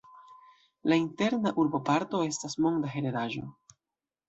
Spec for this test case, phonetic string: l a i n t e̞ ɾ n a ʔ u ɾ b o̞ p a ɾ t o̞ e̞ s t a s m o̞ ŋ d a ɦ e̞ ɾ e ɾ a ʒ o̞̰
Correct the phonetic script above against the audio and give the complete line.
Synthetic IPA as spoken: l a i n t e̞ ɾ n a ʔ u ɾ b o̞ p a ɾ t o̞ e̞ s t a s m o̞ ŋ d a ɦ e̞ ɾ e ɾ a ʒ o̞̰